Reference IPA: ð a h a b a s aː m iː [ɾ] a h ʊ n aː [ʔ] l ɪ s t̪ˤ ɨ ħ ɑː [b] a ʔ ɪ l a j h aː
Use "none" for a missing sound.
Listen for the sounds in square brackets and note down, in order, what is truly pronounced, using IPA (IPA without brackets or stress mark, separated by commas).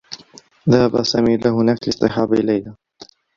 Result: l, k, b